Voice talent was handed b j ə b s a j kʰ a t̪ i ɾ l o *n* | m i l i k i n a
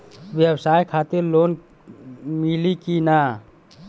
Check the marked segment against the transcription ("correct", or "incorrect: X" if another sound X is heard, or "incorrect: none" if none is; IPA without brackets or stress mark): correct